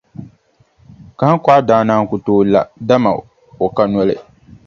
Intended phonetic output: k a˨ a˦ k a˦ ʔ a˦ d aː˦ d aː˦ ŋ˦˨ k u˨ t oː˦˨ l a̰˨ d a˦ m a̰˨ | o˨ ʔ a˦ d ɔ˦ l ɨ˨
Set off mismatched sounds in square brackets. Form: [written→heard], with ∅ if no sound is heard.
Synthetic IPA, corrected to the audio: k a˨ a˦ k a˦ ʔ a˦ d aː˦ [d→n] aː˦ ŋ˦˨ k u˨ t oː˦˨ l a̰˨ d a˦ m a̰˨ | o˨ [ʔ→k] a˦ [d→n] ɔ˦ l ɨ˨